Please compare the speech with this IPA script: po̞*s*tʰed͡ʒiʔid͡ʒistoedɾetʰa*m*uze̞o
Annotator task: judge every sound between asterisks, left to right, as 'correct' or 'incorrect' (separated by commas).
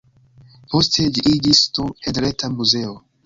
correct, correct